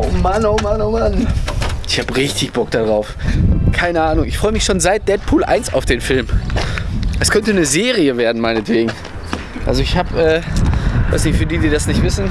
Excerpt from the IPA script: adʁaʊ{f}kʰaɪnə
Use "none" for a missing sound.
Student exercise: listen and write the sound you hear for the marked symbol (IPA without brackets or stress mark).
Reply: f